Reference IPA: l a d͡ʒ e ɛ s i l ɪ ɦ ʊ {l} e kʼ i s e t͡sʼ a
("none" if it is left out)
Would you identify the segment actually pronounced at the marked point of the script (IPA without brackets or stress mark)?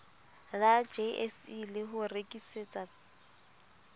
r